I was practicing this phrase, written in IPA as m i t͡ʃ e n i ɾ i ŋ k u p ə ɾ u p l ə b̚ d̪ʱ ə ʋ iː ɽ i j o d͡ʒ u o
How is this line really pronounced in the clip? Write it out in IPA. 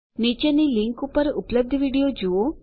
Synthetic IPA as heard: n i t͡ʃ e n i l i ŋ k u p ə ɾ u p l ə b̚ d̪ʱ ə ʋ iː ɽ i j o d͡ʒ u o